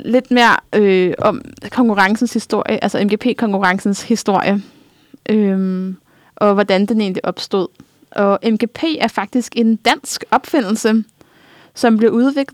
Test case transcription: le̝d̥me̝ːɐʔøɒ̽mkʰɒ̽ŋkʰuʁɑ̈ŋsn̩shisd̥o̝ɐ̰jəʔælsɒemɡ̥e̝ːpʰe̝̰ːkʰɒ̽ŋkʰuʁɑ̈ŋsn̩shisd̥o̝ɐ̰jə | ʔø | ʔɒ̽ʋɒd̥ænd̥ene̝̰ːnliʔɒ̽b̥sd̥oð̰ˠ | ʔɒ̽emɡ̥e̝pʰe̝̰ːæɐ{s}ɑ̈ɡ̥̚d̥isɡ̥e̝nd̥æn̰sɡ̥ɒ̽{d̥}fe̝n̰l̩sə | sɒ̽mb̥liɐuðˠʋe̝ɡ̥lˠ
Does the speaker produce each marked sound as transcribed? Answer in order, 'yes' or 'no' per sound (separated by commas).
no, no